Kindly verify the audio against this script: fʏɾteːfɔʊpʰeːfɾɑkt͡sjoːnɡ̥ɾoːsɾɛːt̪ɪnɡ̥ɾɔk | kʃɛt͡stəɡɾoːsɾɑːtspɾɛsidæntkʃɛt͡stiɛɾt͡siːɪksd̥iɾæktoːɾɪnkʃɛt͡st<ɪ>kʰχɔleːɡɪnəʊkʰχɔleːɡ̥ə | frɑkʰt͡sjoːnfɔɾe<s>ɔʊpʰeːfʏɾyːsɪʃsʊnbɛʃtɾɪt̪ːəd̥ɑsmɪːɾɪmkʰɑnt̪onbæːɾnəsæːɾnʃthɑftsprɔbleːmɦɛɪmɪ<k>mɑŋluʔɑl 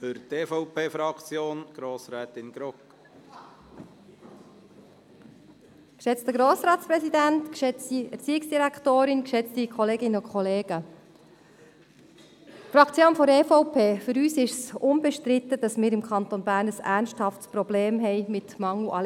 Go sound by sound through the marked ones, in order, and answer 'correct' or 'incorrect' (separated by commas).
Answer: incorrect, incorrect, incorrect